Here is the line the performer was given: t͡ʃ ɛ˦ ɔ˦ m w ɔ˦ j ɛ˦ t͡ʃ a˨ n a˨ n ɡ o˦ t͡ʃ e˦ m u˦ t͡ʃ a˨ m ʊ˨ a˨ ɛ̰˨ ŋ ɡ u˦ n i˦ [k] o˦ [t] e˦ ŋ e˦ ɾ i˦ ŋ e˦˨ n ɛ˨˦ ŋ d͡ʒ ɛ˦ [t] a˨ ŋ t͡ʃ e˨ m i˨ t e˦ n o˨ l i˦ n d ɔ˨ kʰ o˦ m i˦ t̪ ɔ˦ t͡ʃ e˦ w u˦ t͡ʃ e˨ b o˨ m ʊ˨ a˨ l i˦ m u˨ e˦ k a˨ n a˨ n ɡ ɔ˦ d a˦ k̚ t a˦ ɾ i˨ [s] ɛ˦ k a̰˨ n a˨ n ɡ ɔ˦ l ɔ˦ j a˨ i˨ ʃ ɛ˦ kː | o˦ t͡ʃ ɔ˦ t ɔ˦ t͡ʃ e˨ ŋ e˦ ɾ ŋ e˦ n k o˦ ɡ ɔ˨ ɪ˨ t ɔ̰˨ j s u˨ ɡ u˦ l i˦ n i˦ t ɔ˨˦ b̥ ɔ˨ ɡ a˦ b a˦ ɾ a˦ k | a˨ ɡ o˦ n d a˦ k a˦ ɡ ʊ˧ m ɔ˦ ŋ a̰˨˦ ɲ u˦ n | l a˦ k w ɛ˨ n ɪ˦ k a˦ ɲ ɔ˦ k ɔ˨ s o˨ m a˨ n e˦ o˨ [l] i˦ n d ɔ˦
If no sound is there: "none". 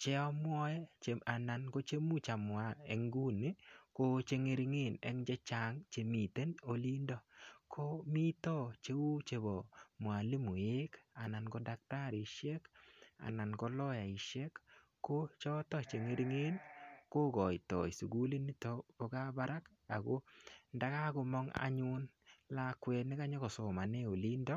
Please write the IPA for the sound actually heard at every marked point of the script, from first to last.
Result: k, t͡ʃ, t͡ʃ, ʃ, l

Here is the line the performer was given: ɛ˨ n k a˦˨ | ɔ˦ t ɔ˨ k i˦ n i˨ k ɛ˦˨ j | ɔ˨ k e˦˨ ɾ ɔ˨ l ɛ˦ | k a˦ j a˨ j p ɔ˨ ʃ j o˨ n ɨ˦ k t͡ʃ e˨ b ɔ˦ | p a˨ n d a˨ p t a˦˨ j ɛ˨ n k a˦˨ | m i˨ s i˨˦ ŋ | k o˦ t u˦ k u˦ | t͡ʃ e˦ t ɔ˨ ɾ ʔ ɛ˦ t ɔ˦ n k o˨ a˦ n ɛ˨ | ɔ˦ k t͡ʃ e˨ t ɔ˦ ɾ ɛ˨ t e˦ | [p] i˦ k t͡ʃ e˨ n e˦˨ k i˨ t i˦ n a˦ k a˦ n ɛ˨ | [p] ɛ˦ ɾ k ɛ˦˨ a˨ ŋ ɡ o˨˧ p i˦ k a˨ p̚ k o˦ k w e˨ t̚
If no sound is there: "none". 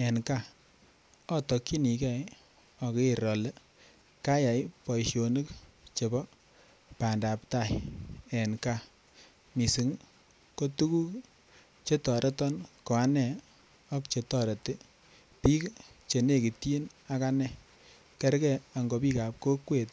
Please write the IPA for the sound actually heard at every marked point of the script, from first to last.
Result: p, k

